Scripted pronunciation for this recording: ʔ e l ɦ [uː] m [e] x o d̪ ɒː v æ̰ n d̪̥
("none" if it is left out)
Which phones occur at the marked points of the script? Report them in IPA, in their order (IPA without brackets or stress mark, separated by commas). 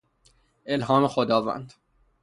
ɒː, e